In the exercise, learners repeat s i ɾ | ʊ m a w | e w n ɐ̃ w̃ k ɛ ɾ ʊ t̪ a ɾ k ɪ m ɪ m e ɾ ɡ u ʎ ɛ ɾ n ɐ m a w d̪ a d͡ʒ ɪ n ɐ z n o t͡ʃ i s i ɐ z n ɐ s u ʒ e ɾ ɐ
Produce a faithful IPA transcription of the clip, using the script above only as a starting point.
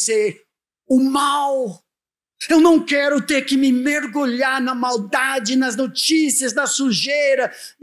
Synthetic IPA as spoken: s e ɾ | ʊ m a w | e w n ɐ̃ w̃ k ɛ ɾ ʊ t̪ e ɾ k ɪ m ɪ m e ɾ ɡ u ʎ a ɾ n ɐ m a w d̪ a d͡ʒ ɪ n ɐ z n o t͡ʃ i s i ɐ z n ɐ s u ʒ e ɾ ɐ

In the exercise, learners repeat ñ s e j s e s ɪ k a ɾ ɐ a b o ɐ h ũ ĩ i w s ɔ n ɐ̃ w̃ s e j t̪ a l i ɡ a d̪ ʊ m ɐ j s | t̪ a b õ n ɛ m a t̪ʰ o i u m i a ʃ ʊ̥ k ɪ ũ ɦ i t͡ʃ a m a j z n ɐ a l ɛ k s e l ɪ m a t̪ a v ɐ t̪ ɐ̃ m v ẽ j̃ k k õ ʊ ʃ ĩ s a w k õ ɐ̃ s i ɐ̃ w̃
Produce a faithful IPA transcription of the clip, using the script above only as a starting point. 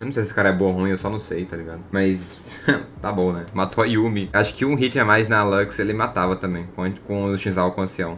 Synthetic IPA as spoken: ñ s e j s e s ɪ k a ɾ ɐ ɛ b o ɐ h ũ ĩ e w s ɔ n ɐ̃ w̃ s e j t̪ a l i ɡ a d̪ ʊ m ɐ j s | t̪ a b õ n ɛ m a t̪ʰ o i u m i a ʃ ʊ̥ k ɪ ũ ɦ i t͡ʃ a m a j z n ɐ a l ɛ k s e l ɪ m a t̪ a v ɐ t̪ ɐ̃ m b ẽ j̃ k k õ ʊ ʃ ĩ z a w k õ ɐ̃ s i ɐ̃ w̃

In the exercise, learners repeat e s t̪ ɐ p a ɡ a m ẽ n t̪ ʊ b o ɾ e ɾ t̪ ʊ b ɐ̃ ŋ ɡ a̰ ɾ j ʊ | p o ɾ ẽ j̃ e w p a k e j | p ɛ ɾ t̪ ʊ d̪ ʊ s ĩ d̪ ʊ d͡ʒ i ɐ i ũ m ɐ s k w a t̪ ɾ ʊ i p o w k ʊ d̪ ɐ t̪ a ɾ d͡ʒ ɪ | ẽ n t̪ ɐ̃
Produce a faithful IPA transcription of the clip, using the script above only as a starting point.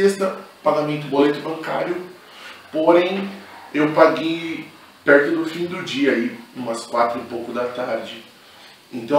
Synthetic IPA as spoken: e s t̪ ɐ p a ɡ a m ẽ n t̪ ʊ b o l e t̪ ʊ b ɐ̃ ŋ k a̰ ɾ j ʊ | p o ɾ ẽ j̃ e w p a ɡ e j | p ɛ ɾ t̪ ʊ d̪ ʊ f ĩ d̪ ʊ d͡ʒ i ɐ i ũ m ɐ s k w a t̪ ɾ ʊ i p o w k ʊ d̪ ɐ t̪ a ɾ d͡ʒ ɪ | ẽ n t̪ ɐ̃

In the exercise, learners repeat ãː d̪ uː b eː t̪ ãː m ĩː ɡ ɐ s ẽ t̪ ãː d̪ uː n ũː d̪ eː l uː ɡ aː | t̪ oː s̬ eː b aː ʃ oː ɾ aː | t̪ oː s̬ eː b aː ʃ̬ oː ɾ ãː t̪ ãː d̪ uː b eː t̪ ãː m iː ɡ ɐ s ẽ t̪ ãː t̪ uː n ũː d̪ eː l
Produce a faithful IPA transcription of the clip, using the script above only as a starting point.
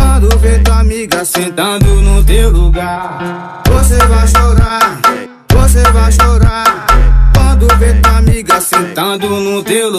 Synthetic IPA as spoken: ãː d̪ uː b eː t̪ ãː m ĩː ɡ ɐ s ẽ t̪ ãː d̪ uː n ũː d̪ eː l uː ɡ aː | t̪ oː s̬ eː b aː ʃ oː ɾ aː | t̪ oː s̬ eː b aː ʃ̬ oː ɾ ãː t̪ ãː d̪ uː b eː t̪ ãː m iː ɡ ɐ s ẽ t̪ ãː d̪ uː n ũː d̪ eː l

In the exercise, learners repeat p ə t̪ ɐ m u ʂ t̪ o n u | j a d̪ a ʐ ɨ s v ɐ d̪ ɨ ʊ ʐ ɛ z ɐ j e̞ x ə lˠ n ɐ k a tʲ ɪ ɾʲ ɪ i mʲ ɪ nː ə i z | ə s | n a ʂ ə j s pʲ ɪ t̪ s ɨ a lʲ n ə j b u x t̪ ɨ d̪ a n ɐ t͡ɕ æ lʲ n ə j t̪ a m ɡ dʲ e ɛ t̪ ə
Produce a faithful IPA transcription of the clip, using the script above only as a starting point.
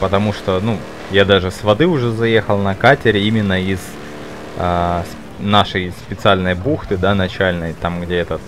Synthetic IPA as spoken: p ə t̪ ɐ m u ʂ t̪ o n u | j a d̪ a ʐ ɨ s v ɐ d̪ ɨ ʊ ʐ ɛ z ɐ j e̞ x ə lˠ n ɐ k a tʲ ɪ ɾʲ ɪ i mʲ ɪ nː ə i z | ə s | n a ʂ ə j s pʲ ɪ t̪ s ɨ a lʲ n ə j b u x t̪ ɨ d̪ a n ɐ t͡ɕ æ lʲ n ə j t̪ a m ɡ dʲ e ɛ t̪ ə

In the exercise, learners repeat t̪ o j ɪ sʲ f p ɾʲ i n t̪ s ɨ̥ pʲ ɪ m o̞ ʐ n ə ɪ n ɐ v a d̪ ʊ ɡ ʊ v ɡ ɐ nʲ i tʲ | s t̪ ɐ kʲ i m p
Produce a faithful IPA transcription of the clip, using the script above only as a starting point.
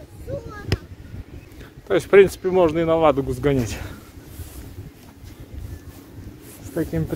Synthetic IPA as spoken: t̪ o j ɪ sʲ f p ɾʲ i n t̪ s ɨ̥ pʲ ɪ m o̞ ʐ n ə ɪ n ɐ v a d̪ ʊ ɡ ʊ z ɡ ɐ nʲ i tʲ | s t̪ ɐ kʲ i m p

